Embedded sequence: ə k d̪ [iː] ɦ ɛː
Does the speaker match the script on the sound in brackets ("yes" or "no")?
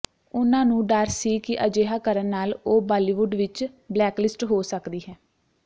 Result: yes